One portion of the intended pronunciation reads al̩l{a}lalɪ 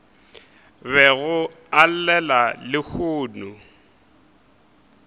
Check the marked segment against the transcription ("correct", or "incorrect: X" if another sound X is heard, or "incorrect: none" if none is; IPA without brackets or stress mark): incorrect: ɛ